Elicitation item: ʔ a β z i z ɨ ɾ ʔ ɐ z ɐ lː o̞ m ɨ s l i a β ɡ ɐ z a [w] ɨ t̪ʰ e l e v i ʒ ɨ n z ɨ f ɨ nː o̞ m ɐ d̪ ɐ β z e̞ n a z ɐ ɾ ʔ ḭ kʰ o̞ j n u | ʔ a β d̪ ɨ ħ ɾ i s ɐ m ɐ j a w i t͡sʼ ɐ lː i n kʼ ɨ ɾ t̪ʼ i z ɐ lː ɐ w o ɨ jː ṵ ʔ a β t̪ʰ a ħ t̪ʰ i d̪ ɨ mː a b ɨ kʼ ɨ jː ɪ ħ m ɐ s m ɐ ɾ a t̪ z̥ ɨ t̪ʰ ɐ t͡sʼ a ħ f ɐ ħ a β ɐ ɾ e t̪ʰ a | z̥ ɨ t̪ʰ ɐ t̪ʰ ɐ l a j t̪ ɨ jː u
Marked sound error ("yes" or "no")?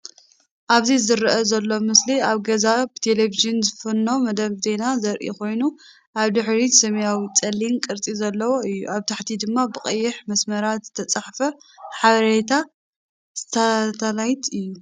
yes